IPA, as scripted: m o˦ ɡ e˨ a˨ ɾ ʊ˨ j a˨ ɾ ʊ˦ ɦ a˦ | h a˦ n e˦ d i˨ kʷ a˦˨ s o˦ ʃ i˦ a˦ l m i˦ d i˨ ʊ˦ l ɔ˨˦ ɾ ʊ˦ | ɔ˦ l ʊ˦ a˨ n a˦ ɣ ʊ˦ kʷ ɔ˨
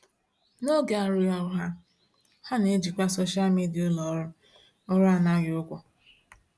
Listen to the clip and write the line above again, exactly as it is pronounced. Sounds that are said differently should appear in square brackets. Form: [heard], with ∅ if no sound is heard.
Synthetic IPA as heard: [n] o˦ ɡ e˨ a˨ ɾ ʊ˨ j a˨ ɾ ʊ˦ ɦ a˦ | h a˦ n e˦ [d͡ʒ] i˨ kʷ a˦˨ s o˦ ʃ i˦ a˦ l m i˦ d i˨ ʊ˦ l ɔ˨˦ ɾ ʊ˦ | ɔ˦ [ɾ] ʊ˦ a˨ n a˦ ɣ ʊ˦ kʷ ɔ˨